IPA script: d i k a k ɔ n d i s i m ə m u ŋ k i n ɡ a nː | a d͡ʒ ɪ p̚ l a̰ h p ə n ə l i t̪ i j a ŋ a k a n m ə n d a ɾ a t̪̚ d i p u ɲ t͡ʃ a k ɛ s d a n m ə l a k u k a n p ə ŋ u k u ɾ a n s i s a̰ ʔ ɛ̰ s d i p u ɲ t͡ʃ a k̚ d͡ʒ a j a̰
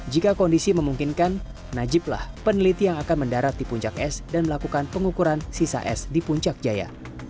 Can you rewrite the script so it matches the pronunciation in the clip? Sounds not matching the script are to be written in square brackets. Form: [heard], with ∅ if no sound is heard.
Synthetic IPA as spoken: [d͡ʒ] i k a k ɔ n d i s i m ə m u ŋ k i n [k] a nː | a d͡ʒ ɪ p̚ l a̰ h p ə n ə l i t̪ i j a ŋ a k a n m ə n d a ɾ a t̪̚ d i p u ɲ t͡ʃ a k ɛ s d a n m ə l a k u k a n p ə ŋ u k u ɾ a n s i s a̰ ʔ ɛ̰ s d i p u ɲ t͡ʃ a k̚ d͡ʒ a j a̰